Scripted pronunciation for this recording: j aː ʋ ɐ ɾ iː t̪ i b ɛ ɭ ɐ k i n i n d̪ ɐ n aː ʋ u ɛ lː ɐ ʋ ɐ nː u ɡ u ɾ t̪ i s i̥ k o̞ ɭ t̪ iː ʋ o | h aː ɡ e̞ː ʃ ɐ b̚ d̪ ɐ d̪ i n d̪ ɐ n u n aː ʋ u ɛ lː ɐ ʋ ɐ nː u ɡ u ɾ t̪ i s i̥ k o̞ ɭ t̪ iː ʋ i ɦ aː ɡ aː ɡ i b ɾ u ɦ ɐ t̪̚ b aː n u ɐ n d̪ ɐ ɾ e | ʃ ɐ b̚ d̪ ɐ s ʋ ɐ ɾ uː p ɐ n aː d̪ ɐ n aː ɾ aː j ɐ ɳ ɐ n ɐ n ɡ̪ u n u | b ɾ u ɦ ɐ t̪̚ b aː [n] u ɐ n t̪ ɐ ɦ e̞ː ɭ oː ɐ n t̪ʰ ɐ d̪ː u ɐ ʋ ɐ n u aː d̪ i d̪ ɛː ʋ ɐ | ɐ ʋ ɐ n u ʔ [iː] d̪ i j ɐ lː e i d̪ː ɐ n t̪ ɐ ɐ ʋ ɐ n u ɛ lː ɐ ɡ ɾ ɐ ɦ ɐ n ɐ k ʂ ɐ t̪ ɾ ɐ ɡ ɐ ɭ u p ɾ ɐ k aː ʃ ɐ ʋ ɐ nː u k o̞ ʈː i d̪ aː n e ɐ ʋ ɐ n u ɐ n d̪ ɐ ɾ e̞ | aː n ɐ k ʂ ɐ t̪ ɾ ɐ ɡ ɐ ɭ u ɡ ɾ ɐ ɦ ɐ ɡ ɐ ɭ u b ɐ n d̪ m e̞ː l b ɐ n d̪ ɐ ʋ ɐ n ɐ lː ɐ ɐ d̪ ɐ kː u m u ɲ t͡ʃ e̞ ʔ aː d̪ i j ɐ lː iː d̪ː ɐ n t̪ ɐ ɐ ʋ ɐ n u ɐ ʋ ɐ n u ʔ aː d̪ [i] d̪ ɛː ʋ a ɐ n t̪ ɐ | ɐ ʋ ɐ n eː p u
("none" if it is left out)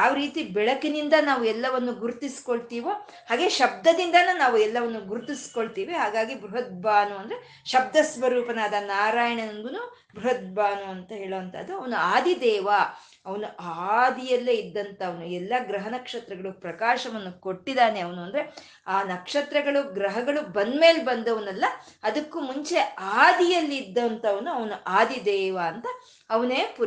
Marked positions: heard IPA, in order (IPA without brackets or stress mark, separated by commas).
n, aː, i